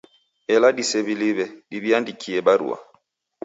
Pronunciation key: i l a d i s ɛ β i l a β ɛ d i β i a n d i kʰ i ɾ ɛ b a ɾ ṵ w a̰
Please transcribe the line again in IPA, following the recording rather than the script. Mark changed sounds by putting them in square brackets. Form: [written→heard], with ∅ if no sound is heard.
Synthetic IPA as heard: [i→ɛ] l a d i s ɛ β i l [a→i] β ɛ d i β i a n d i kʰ i [ɾ→∅] ɛ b a ɾ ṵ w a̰

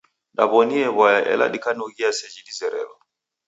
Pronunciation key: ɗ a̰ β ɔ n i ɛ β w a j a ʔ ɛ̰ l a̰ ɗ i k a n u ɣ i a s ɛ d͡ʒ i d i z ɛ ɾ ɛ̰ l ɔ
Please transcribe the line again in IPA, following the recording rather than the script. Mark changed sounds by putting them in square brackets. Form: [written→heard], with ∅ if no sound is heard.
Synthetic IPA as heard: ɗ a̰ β ɔ n i ɛ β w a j a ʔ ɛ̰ l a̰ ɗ i k a n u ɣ i a s ɛ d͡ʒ i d i z ɛ ɾ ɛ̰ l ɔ

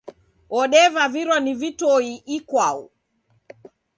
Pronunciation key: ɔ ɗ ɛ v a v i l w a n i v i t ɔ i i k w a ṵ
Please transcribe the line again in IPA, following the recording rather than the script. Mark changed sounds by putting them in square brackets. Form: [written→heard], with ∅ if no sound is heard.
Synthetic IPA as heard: ɔ ɗ ɛ v a v i [l→ɾ] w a n i v i t ɔ i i k w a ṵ

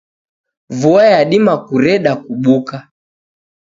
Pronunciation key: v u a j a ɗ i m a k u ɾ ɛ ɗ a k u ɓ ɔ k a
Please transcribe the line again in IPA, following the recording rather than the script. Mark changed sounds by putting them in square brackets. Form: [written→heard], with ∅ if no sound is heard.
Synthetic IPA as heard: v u a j a ɗ i m a k u ɾ ɛ ɗ a k u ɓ [ɔ→u] k a

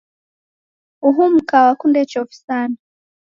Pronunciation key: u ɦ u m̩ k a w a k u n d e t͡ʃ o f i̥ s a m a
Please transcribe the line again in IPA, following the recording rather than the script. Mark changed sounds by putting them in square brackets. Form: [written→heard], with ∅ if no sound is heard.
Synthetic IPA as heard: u ɦ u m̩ k a w a k u n d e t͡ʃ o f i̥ s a [m→n] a

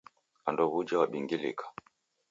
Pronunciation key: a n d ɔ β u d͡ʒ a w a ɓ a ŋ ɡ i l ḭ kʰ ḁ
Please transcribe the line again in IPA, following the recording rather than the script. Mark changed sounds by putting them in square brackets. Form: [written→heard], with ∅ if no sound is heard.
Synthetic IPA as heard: a n d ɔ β u d͡ʒ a w a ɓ [a→i] ŋ ɡ i l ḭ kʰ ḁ

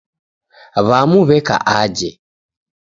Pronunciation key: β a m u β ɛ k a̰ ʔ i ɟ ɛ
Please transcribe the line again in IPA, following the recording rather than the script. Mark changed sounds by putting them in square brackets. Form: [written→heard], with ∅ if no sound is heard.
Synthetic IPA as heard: β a m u β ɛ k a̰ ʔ [i→a] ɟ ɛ

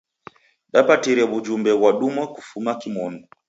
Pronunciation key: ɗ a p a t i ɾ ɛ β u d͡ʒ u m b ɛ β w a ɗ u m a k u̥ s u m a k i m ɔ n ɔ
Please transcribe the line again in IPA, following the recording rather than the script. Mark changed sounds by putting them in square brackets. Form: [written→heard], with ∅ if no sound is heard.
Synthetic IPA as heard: ɗ a p a t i ɾ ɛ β u d͡ʒ u m b ɛ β w a ɗ u m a k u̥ [s→f] u m a k i m ɔ n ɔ

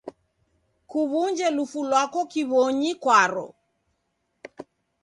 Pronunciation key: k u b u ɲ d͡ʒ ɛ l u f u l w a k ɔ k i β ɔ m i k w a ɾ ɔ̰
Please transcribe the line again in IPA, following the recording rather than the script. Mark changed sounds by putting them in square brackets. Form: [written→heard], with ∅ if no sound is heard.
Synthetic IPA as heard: k u [b→β] u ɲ d͡ʒ ɛ l u f u l w a k ɔ k i β ɔ [m→ɲ] i k w a ɾ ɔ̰

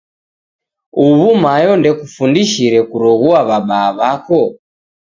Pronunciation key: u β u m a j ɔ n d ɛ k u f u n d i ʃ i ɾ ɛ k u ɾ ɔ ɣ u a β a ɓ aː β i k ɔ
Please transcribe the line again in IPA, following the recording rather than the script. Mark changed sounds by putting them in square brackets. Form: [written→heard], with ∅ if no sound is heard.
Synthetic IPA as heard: u β u m a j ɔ n d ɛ k u f u n d i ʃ i ɾ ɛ k u ɾ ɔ ɣ u a β a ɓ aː β [i→a] k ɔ

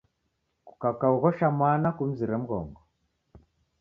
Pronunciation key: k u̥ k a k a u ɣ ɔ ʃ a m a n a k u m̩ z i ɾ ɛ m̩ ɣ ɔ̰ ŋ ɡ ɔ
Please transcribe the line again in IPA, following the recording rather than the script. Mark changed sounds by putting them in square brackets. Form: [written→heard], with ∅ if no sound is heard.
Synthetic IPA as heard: k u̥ k a k a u ɣ ɔ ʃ a m a n a k u m̩ z i ɾ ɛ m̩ ɣ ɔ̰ ŋ ɡ ɔ

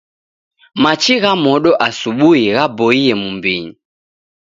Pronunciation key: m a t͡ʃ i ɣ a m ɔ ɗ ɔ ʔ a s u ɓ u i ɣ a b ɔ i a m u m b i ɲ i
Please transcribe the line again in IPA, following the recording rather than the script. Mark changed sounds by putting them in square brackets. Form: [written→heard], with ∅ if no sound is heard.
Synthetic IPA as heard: m a t͡ʃ i ɣ a m ɔ ɗ ɔ ʔ a s u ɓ u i ɣ a b ɔ i [a→ɛ] m u m b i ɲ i

